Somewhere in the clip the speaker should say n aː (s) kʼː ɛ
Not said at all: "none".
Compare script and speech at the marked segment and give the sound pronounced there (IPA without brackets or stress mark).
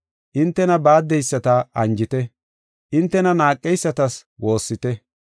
none